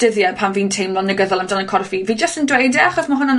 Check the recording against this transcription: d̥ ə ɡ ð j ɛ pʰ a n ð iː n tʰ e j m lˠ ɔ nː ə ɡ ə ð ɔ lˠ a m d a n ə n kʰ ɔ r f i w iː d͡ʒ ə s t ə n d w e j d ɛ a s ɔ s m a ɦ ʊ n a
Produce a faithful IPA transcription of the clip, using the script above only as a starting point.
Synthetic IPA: d̥ ə ð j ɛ pʰ a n v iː n tʰ e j m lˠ ɔ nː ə ɡ ə ð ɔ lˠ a m d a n ə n kʰ ɔ r f i v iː d͡ʒ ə s t ə n d w e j d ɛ a χ ɔ s m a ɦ ʊ n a